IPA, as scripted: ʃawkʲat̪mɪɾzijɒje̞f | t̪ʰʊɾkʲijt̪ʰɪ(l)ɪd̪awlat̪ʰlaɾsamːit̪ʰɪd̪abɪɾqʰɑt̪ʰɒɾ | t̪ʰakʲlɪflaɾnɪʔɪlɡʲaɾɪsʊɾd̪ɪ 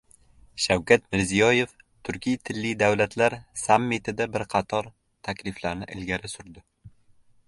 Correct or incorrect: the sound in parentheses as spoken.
incorrect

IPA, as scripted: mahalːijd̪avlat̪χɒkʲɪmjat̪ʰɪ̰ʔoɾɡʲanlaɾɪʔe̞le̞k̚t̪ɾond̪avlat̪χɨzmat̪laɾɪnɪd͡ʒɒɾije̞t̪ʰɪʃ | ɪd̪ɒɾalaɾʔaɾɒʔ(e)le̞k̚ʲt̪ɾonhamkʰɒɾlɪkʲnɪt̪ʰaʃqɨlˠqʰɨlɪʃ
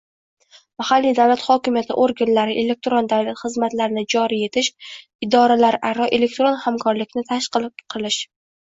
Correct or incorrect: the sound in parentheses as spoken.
correct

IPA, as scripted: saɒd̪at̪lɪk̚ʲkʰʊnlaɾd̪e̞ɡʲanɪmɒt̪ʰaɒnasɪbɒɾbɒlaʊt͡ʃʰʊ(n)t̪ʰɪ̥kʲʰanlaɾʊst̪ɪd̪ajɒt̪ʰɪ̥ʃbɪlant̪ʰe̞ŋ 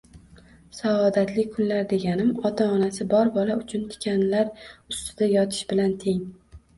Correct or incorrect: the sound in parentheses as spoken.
correct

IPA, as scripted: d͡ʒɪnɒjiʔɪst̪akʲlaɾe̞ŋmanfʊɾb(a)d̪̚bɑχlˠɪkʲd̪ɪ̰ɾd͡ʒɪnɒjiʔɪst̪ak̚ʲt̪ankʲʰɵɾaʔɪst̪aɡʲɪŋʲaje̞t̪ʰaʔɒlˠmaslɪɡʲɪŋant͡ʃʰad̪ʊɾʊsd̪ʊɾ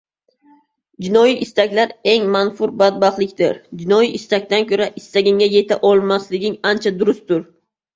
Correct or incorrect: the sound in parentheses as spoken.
correct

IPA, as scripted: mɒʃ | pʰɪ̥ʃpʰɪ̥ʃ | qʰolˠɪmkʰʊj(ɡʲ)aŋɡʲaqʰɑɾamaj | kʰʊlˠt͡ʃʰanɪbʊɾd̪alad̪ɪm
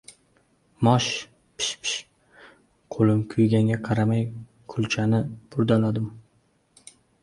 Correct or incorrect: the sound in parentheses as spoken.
correct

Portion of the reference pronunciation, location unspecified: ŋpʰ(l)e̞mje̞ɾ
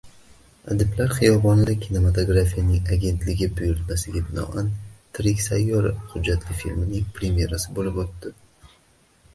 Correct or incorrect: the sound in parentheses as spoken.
incorrect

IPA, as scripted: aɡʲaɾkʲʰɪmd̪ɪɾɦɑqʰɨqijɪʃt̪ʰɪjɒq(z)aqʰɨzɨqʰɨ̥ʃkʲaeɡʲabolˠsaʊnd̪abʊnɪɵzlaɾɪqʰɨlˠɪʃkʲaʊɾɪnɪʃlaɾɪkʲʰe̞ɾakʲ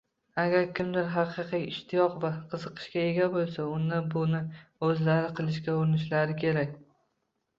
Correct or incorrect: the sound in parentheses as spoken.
incorrect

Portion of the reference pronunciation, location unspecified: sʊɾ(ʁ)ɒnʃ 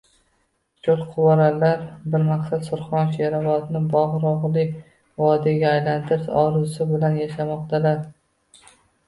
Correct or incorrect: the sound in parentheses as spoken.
incorrect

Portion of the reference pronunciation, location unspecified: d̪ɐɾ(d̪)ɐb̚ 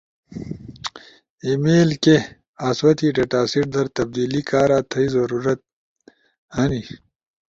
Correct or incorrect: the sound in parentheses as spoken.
incorrect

